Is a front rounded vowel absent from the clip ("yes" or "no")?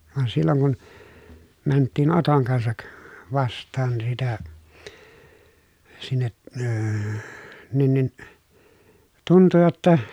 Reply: yes